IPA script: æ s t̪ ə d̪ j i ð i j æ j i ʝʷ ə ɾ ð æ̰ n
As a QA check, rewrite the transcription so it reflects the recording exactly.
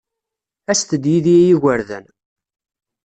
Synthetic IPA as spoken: æ s t̪ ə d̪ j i ð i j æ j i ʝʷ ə ɾ ð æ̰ n